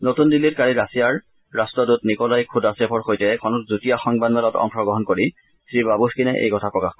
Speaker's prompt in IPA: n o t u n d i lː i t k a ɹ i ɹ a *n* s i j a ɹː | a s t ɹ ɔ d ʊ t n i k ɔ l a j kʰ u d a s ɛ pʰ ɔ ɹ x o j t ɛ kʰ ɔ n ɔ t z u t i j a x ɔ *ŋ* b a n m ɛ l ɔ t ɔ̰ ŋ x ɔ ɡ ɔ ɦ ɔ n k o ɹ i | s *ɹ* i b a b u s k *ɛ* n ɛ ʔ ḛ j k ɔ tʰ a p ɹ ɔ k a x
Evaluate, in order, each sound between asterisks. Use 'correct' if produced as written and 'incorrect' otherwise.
incorrect: none, correct, correct, incorrect: i

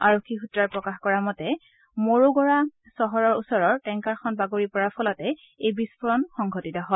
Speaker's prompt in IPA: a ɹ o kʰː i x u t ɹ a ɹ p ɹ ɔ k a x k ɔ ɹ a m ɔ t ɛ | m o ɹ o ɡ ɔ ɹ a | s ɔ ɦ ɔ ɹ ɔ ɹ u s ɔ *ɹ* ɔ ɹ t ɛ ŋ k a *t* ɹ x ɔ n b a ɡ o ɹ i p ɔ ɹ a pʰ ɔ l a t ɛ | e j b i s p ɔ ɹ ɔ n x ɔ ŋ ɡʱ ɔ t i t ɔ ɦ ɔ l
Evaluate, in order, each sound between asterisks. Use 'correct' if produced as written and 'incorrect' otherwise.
correct, incorrect: none

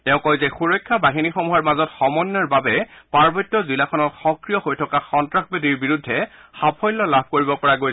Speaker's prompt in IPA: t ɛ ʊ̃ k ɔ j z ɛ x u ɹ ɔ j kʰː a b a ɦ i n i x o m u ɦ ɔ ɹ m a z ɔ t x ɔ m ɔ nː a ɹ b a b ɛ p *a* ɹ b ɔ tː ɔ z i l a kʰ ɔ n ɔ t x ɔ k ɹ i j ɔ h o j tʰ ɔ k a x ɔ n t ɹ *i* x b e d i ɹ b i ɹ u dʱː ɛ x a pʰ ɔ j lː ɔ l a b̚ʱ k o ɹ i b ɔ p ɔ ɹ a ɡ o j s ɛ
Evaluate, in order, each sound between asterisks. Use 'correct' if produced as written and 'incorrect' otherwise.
correct, incorrect: a

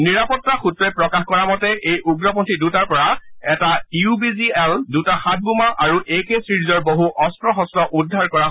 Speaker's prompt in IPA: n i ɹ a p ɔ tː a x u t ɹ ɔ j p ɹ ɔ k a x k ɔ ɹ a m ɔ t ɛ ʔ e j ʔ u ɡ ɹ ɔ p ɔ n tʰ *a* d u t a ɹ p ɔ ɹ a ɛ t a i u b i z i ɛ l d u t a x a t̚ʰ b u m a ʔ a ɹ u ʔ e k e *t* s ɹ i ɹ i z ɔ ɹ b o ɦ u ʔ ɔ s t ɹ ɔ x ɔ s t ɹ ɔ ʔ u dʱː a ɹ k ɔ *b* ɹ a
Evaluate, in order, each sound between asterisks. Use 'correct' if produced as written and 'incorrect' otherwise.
incorrect: i, incorrect: none, incorrect: none

